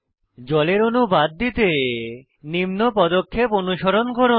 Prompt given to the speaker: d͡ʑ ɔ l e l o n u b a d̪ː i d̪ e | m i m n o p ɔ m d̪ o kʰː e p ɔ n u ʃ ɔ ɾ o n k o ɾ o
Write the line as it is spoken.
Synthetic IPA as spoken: d͡ʑ ɔ l e ɾ o n u b a d̪ː i t̪ e | n i m n o p ɔ d̪ o kʰː e p o n u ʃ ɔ ɾ o n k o ɾ o